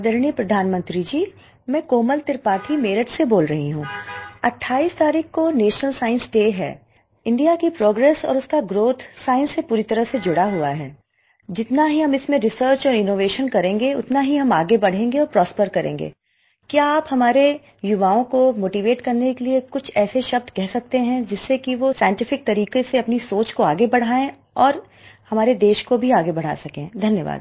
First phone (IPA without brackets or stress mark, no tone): d̪